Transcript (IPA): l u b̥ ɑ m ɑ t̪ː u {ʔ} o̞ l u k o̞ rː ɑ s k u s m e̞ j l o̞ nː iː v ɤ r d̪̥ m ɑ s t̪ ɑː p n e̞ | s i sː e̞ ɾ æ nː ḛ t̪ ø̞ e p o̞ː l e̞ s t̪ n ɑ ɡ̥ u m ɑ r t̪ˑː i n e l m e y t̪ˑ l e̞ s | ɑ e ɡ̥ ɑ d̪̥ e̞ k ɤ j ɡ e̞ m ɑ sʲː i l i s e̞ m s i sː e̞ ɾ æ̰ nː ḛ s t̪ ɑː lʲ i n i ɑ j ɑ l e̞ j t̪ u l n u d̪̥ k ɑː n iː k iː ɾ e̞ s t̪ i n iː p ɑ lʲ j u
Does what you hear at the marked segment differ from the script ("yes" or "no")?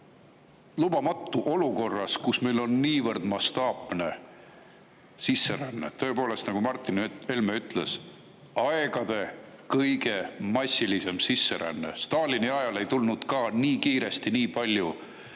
no